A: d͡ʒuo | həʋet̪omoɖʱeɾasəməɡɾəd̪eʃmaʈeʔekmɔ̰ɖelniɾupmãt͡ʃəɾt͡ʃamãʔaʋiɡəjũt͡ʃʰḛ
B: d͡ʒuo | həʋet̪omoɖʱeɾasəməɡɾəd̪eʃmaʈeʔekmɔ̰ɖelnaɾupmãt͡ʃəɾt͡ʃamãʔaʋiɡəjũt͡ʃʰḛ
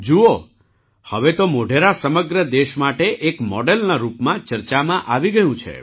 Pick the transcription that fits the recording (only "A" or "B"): B